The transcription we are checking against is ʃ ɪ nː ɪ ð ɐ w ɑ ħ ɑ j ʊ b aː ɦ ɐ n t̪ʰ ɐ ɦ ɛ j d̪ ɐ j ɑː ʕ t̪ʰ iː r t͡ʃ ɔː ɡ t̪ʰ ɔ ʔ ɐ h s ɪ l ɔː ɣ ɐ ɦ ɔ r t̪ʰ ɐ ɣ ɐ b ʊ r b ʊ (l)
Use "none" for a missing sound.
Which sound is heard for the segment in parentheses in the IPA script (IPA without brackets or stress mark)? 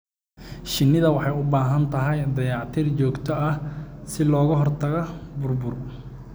r